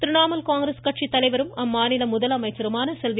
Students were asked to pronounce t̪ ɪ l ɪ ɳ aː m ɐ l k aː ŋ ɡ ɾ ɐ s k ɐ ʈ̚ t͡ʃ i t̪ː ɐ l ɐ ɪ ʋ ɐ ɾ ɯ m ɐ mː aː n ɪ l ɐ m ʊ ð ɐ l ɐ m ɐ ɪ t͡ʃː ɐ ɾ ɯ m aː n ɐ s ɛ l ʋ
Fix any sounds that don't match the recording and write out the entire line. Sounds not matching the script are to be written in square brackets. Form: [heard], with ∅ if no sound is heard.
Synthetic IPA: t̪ ɪ [ɾ] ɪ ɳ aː m ɐ l k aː ŋ ɡ ɾ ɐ s k ɐ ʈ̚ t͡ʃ i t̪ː ɐ l ɐ ɪ ʋ ɐ ɾ ɯ m ɐ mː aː n ɪ l ɐ m ʊ ð ɐ l ɐ m ɐ ɪ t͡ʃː ɐ ɾ ɯ m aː n ɐ s ɛ l ʋ